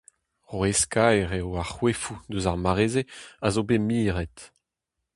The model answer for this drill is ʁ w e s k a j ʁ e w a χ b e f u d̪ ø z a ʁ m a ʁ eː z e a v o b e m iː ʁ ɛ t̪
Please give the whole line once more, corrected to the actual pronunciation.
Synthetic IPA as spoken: ʁ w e s k a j ʁ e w a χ w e f u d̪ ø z a ʁ m a ʁ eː z e a z o b e m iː ʁ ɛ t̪